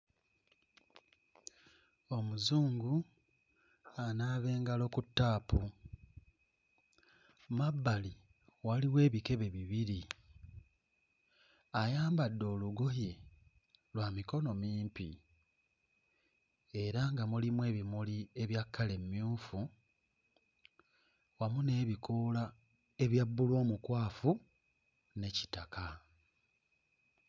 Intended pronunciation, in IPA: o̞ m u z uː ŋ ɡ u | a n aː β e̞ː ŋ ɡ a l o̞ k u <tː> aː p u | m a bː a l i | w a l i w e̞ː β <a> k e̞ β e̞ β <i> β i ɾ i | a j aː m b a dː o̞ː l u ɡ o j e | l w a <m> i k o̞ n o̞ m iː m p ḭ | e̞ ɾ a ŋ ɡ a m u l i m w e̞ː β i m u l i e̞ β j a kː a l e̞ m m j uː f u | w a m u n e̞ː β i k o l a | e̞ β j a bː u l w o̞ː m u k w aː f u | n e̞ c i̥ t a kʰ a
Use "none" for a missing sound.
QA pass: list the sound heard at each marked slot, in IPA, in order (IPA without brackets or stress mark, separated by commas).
tː, i, i, m